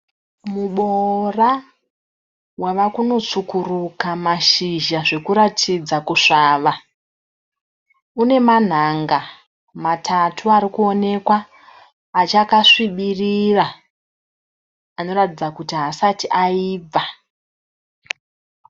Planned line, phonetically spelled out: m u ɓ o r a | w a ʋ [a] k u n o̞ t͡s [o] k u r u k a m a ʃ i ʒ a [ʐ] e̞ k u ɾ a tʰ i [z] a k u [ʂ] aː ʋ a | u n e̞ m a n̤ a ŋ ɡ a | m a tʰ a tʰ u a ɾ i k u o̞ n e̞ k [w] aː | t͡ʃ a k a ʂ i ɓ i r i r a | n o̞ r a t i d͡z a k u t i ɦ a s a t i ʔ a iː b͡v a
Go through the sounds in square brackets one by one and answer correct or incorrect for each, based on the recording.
correct, incorrect: u, correct, incorrect: d͡z, correct, correct

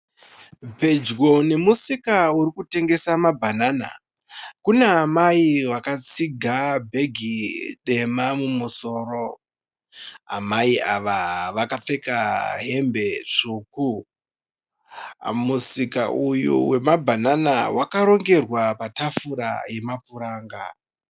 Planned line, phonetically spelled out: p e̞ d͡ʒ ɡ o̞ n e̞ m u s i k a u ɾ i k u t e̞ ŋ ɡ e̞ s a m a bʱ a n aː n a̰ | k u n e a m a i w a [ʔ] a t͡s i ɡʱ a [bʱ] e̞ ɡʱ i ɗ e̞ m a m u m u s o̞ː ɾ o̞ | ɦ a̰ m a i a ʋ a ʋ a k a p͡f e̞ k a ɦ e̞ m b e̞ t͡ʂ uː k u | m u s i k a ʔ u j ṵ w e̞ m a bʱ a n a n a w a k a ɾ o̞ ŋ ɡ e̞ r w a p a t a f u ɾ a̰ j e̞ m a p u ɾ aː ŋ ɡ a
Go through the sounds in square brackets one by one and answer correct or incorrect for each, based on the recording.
incorrect: k, correct

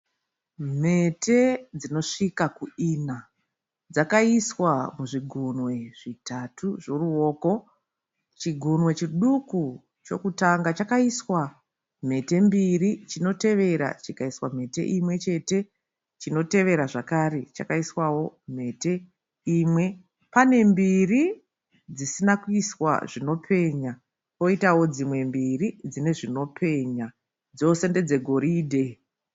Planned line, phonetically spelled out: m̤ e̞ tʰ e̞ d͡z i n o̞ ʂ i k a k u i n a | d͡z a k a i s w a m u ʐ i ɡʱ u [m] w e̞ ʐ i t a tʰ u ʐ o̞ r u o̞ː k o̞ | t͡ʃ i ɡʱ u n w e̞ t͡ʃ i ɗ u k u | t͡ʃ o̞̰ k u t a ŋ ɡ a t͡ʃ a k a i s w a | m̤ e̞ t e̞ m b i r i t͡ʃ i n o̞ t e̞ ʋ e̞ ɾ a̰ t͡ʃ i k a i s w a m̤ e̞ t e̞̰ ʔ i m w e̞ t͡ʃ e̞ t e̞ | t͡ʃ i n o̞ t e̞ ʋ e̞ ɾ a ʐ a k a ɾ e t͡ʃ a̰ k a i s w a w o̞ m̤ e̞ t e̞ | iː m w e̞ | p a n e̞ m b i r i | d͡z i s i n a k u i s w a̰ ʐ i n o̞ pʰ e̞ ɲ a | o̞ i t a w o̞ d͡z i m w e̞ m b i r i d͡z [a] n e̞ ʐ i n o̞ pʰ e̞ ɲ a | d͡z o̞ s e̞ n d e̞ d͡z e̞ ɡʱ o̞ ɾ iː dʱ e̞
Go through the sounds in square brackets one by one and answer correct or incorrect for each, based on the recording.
incorrect: n, incorrect: i

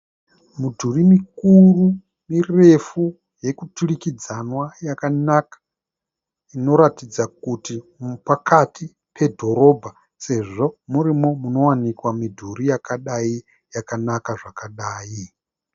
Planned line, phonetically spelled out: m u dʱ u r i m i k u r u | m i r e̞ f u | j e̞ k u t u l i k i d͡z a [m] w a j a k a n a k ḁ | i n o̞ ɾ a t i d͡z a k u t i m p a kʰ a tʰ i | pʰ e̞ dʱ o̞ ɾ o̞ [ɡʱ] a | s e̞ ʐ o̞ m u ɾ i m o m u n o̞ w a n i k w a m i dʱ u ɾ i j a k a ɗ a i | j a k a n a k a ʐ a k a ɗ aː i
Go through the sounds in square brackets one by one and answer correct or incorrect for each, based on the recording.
incorrect: n, incorrect: bʱ

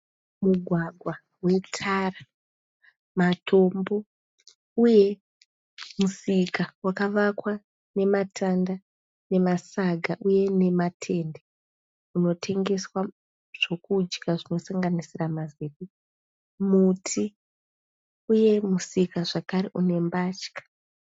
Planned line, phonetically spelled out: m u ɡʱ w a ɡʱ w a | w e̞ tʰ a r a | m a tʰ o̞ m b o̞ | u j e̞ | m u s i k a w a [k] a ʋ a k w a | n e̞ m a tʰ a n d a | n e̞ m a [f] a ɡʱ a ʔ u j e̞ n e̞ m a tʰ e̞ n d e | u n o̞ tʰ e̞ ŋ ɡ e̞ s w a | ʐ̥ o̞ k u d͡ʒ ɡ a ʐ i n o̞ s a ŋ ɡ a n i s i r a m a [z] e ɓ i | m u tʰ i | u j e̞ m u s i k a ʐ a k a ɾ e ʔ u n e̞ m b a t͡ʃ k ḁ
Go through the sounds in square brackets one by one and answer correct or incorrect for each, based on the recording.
correct, incorrect: s, correct

